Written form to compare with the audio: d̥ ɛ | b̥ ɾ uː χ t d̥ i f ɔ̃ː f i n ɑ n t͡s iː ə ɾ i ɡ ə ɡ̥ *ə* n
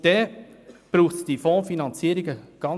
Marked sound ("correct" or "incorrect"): incorrect